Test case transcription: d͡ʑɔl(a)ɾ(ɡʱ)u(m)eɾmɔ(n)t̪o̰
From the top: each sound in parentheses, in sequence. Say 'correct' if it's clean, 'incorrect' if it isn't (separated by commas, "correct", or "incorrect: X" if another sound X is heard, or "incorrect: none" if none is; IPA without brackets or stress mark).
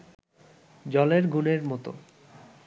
incorrect: e, correct, incorrect: n, incorrect: none